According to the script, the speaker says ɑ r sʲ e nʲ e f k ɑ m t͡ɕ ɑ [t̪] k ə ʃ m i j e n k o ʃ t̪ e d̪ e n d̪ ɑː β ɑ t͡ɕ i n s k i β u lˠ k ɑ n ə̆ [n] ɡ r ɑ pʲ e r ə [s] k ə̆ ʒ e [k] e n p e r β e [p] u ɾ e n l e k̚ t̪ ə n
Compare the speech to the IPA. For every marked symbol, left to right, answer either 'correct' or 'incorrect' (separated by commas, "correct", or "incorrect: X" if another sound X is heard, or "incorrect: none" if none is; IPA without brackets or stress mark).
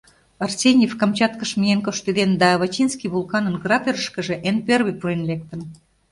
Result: correct, correct, incorrect: ʃ, incorrect: ʔ, correct